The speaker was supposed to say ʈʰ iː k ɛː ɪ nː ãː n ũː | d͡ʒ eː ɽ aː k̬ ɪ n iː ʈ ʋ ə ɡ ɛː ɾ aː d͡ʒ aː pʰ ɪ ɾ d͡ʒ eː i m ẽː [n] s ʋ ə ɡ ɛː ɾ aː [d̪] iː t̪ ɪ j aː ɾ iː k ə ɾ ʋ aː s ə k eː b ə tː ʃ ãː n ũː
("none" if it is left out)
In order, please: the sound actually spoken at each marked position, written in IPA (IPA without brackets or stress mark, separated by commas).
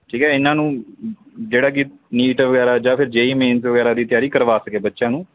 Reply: n, d̪